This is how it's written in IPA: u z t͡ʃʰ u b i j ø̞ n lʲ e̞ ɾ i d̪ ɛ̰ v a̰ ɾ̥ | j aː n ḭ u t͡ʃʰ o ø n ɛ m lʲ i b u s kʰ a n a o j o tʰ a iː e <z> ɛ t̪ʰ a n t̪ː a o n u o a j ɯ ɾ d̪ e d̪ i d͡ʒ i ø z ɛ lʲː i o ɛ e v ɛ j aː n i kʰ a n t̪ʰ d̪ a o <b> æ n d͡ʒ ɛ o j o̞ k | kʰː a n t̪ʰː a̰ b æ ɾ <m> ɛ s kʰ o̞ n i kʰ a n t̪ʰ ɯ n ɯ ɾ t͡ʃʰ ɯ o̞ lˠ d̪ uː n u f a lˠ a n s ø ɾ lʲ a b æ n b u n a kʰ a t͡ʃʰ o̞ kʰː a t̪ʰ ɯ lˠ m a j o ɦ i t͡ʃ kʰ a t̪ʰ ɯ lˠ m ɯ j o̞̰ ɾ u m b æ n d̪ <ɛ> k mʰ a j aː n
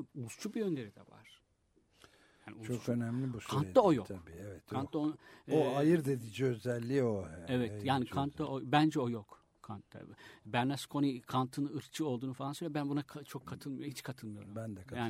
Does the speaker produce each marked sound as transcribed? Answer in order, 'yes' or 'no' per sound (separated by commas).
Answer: no, yes, no, yes